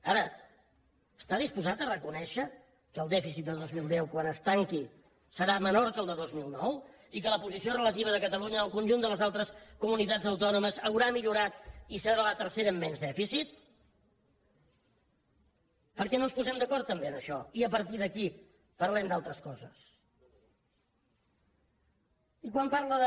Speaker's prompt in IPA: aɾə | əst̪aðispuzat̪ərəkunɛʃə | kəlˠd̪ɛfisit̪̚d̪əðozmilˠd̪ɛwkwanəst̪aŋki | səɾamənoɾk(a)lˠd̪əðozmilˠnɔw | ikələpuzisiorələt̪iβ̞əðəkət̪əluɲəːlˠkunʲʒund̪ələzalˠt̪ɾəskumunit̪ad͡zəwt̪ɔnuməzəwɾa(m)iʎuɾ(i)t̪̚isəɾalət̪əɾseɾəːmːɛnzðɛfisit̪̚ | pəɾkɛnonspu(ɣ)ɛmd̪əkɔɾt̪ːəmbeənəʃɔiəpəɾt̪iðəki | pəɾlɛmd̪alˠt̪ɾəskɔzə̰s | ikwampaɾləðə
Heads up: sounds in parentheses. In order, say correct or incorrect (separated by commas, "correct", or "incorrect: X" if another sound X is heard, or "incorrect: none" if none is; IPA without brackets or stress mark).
incorrect: ə, correct, incorrect: a, incorrect: z